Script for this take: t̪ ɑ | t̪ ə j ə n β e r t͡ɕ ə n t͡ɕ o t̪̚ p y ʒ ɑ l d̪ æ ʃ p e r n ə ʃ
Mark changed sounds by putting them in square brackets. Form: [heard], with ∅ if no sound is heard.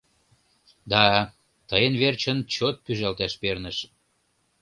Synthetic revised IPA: [d̪] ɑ | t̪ ə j ə n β e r t͡ɕ ə n t͡ɕ o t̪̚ p y ʒ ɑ l [t̪] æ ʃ p e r n ə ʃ